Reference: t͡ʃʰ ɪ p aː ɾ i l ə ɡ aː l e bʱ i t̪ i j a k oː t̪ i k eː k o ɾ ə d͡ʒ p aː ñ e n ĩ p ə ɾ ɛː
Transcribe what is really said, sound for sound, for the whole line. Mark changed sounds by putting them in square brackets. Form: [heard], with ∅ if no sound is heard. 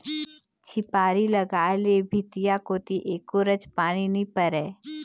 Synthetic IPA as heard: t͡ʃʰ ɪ p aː ɾ i l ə ɡ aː l e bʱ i t̪ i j a k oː t̪ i [ʔ] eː k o ɾ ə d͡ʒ p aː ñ [i] n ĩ p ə ɾ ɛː